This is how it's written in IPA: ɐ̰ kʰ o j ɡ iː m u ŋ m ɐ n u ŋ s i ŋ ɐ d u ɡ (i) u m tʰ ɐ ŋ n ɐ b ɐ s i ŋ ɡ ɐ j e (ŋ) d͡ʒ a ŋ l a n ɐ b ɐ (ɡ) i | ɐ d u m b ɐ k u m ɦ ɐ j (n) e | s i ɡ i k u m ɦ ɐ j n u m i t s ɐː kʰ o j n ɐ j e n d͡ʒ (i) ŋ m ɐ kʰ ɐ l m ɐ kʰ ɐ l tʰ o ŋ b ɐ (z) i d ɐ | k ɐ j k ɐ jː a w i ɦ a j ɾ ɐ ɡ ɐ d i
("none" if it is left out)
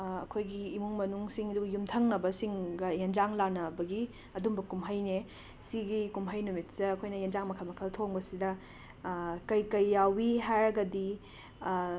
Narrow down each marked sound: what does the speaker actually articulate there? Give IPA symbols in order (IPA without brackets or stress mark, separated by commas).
j, n, ɡ, n, a, s